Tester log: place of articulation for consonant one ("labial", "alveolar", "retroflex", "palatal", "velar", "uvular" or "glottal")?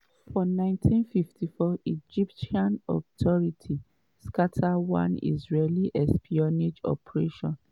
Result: labial